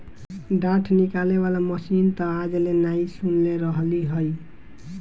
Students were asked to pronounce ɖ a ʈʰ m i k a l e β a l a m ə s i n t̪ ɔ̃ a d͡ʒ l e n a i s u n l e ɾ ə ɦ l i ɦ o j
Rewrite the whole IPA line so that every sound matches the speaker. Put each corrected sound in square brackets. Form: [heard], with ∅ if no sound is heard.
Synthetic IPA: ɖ a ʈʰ [n] i k a l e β a l a m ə s i n t̪ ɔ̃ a d͡ʒ l e n a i s u n l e ɾ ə ɦ l i ɦ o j

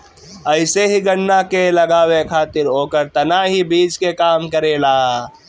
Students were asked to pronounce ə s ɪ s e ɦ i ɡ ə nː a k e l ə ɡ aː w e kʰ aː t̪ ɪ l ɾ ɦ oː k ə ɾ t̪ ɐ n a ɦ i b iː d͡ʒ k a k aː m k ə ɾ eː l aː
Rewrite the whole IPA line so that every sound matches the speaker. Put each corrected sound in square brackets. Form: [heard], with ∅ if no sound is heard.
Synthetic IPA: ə [∅] ɪ s e ɦ i ɡ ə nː a k e l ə ɡ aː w e kʰ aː t̪ ɪ [∅] ɾ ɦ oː k ə ɾ t̪ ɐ n a ɦ i b iː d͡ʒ k [e] k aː m k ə ɾ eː l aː

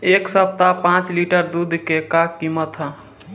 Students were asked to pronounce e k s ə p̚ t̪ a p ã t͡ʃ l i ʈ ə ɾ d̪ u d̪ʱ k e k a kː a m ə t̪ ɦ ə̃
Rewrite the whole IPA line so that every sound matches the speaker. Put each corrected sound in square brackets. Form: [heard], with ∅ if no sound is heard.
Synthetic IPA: e k s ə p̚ t̪ a p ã t͡ʃ l i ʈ ə ɾ d̪ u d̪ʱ k e k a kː [i] m ə t̪ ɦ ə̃

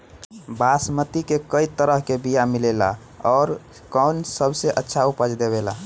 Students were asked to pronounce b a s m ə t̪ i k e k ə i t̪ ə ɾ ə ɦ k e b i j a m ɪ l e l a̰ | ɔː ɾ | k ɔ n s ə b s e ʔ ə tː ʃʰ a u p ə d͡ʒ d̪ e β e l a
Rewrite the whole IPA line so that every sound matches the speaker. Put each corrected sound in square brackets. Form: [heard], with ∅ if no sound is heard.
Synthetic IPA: b a s m ə t̪ i k e k ə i t̪ ə ɾ ə ɦ k e b i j a m [i] l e l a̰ | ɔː ɾ | k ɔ n s ə b s e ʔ ə tː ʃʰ a u p ə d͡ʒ d̪ e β e l a

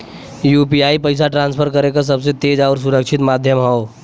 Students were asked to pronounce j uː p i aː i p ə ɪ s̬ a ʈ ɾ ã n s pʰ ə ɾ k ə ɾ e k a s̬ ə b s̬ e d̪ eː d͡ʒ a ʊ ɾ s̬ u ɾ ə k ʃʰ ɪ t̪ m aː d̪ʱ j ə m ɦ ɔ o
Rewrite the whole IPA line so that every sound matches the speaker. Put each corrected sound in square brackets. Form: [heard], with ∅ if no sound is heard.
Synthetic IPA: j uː p i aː i p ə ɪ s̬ a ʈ ɾ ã n s pʰ ə ɾ k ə ɾ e k a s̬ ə b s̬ e [t̪] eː d͡ʒ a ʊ ɾ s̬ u ɾ ə k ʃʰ ɪ t̪ m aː d̪ʱ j ə m ɦ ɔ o

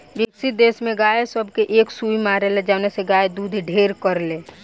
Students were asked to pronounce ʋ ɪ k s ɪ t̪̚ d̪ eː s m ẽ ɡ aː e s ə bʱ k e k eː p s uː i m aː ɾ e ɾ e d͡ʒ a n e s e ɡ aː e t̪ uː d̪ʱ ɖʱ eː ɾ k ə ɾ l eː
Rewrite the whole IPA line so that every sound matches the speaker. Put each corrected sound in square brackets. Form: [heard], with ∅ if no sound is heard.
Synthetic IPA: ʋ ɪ k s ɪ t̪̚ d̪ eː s m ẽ ɡ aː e s ə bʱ k e [ʔ] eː [k] s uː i m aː ɾ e [l] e d͡ʒ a n e s e ɡ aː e [d̪] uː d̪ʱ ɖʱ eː ɾ k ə ɾ l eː

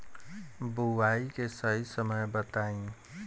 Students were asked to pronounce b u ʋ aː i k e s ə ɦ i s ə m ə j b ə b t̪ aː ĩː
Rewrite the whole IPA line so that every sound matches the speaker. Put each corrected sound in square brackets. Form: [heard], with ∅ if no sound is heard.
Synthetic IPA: b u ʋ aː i k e s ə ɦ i s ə m ə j b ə [∅] t̪ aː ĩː

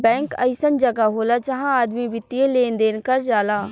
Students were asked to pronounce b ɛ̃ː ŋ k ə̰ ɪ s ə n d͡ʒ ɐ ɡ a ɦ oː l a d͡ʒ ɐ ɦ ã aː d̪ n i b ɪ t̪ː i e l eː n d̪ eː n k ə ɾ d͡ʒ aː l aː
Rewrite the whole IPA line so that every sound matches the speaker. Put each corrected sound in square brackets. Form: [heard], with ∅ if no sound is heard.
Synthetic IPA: b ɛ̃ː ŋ k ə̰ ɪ s ə n d͡ʒ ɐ ɡ a ɦ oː l a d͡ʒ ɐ ɦ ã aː d̪ [m] i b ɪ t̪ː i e l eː n d̪ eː n k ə ɾ d͡ʒ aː l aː

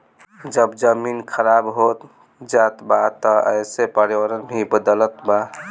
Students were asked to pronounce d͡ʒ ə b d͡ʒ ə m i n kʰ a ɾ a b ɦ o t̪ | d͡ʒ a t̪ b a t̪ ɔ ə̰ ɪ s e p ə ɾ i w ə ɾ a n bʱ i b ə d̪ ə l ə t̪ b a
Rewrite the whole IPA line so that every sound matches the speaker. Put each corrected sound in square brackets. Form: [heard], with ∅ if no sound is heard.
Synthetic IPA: d͡ʒ ə b d͡ʒ ə m i n kʰ [ə] ɾ a b ɦ o t̪ | d͡ʒ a t̪ b a t̪ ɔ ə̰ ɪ s e p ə ɾ i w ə ɾ [ə] n bʱ i b ə d̪ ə l ə t̪ b a

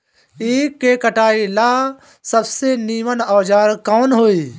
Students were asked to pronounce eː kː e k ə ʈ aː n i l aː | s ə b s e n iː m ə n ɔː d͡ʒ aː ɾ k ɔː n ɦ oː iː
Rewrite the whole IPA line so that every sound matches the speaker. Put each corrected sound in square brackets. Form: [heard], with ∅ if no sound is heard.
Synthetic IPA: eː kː e k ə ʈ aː [∅] i l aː | s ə b s e n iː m ə n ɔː d͡ʒ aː ɾ k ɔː n ɦ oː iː

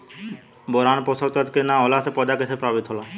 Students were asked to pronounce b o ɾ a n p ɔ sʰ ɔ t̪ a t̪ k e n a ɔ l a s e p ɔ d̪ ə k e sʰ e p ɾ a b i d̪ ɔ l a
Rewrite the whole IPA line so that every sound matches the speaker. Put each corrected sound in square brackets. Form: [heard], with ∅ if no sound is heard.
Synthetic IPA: b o ɾ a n p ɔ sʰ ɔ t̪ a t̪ k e n a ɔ l a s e p ɔ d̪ [a] k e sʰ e p ɾ a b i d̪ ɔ l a

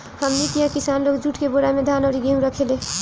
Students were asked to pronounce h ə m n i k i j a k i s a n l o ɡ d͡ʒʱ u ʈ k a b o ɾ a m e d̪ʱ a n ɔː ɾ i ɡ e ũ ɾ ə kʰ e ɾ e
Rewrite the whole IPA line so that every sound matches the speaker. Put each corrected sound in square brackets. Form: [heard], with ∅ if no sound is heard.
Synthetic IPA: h ə m n i k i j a k i s a n l o ɡ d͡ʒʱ u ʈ k [e] b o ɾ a m e d̪ʱ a n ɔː ɾ i ɡ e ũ ɾ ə kʰ e [l] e

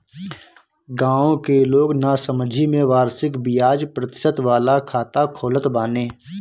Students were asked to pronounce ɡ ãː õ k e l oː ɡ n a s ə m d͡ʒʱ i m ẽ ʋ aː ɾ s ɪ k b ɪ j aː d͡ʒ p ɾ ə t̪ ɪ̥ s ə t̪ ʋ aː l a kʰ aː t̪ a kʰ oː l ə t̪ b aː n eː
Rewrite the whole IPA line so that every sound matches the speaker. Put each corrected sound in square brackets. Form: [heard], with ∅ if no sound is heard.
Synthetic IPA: ɡ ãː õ k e l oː ɡ n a s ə m d͡ʒʱ i m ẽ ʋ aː ɾ s ɪ k b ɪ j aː d͡ʒ p ɾ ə t̪ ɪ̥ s ə t̪ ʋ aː l a kʰ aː t̪ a kʰ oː l ə t̪ b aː n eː

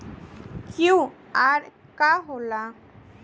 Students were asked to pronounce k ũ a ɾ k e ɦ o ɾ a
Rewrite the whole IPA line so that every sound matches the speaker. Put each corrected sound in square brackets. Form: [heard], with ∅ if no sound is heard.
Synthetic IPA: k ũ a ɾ k [a] ɦ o [l] a

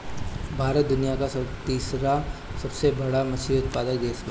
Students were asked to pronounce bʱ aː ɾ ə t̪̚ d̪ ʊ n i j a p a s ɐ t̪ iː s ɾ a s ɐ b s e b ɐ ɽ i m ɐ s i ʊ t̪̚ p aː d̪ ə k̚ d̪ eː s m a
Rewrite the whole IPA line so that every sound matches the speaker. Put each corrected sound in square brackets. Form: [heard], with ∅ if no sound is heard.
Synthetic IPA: bʱ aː ɾ ə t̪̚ d̪ ʊ n i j a [k] a s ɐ t̪ iː s ɾ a s ɐ b s e b ɐ ɽ [a] m ɐ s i ʊ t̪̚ p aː d̪ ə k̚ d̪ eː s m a

